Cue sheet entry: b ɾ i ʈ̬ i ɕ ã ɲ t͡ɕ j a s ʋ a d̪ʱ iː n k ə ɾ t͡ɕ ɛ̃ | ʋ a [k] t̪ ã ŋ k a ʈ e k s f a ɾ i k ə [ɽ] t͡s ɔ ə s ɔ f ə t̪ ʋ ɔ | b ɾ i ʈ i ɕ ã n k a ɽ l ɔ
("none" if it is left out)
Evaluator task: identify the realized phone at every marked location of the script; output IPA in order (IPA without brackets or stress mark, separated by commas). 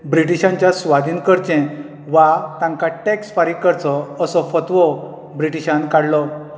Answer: none, ɾ